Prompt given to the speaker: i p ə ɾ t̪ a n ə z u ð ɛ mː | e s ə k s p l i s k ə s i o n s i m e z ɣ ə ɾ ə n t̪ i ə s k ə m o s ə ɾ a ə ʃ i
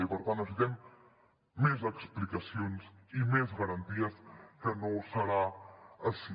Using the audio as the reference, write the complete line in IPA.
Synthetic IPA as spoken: i p ə ɾ t̪ a n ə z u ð ɛ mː | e z ə k s p l i k ə s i o n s i m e z ɣ ə ɾ ə n t̪ i ə s k ə n o s ə ɾ a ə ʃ i